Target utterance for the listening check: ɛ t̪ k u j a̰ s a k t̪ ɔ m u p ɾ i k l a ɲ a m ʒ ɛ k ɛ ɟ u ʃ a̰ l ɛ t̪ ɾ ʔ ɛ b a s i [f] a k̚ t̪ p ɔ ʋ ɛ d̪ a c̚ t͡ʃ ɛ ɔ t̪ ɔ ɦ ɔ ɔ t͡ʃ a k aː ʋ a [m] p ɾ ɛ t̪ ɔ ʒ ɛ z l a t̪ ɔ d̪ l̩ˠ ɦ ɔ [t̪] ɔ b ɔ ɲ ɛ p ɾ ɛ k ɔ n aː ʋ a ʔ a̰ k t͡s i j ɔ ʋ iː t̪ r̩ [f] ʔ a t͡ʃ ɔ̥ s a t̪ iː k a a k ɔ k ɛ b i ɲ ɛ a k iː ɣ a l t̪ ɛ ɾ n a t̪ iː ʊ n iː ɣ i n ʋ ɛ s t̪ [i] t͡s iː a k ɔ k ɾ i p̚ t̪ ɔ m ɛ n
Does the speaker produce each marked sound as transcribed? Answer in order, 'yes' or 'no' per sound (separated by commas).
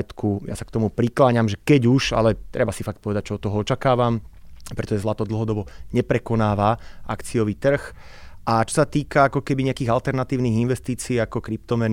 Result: yes, yes, no, no, no